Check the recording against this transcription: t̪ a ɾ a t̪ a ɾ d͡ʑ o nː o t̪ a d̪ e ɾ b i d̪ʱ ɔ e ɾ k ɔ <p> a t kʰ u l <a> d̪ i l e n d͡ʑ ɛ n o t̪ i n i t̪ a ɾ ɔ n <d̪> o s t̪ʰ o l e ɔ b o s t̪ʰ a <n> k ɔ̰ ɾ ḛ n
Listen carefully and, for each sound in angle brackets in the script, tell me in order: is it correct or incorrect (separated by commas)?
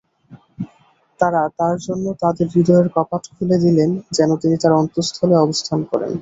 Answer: correct, incorrect, incorrect, correct